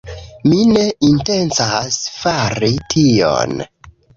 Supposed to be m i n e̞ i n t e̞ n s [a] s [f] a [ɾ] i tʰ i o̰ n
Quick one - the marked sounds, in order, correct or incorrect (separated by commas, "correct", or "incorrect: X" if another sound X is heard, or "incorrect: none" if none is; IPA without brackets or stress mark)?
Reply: correct, correct, correct